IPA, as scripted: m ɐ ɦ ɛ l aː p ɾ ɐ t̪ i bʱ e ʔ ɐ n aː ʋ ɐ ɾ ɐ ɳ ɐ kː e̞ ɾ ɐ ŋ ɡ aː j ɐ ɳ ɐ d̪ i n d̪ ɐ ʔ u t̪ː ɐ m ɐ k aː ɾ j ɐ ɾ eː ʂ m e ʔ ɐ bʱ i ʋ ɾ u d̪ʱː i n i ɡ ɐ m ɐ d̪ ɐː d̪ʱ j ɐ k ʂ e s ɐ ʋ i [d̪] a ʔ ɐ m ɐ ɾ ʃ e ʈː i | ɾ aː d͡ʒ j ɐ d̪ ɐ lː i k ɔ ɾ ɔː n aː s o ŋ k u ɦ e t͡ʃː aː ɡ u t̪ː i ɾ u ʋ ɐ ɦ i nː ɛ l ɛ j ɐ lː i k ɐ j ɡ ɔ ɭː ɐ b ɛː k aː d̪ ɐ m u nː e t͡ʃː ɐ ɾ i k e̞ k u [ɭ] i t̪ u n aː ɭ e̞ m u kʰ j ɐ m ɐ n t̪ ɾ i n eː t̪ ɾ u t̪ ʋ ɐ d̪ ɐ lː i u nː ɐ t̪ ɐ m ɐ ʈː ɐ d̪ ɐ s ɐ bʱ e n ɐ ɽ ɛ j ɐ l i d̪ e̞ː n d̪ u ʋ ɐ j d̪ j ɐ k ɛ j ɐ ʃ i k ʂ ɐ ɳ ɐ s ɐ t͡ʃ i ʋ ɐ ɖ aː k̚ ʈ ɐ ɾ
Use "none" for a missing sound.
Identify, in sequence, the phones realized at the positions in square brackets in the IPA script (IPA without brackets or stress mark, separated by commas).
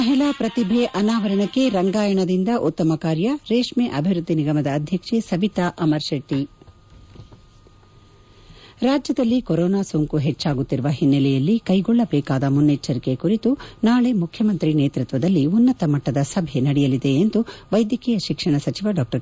t̪, ɾ